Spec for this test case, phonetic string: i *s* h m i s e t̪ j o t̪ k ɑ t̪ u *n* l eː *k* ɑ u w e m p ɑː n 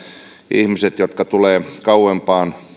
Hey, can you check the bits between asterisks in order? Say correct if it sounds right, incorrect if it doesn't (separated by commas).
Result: incorrect, incorrect, correct